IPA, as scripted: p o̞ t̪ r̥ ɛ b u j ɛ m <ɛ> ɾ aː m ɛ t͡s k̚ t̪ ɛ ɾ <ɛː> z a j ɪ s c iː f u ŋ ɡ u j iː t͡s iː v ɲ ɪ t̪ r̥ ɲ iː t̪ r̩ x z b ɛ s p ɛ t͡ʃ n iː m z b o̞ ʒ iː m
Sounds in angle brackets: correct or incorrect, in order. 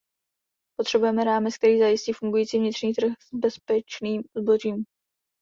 correct, incorrect

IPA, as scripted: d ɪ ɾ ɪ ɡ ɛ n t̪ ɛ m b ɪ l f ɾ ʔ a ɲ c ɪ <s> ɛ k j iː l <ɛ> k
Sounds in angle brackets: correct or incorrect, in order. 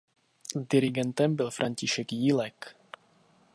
incorrect, correct

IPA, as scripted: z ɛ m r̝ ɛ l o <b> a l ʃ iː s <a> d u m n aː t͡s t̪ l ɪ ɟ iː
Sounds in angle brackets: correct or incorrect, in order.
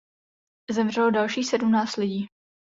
incorrect, incorrect

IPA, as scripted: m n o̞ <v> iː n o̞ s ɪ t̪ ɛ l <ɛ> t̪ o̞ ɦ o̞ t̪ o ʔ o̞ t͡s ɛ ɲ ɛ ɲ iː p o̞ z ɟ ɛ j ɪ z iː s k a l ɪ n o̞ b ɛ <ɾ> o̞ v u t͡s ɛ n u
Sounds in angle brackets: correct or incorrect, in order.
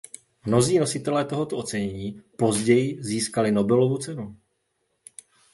incorrect, incorrect, incorrect

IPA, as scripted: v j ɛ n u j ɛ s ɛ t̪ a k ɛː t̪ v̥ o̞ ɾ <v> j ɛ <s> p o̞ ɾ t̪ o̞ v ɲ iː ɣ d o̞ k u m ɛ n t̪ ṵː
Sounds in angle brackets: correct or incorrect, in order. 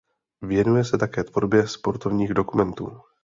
incorrect, correct

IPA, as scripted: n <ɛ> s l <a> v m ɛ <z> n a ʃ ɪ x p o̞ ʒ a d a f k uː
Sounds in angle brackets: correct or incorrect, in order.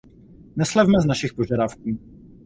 correct, incorrect, correct

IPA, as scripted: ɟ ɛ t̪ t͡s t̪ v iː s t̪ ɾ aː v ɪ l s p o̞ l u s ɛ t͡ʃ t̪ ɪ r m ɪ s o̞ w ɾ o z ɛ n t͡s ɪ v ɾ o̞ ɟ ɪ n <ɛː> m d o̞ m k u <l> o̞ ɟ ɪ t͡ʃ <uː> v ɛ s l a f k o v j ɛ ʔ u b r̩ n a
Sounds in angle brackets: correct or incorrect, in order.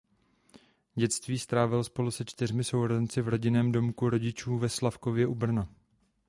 correct, incorrect, correct

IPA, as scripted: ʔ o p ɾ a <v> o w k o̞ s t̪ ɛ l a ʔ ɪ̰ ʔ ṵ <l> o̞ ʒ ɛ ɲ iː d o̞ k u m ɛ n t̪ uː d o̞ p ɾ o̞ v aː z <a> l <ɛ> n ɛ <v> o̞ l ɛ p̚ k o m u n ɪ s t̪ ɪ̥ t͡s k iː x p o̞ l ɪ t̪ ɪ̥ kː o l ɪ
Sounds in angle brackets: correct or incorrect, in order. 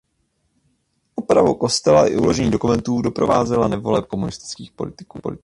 correct, correct, incorrect, incorrect, correct

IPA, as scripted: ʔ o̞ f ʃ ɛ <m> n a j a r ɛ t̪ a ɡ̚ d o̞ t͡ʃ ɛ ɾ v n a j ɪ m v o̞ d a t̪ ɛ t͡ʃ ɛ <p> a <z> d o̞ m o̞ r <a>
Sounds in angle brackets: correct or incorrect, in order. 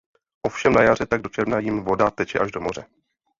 correct, incorrect, incorrect, incorrect

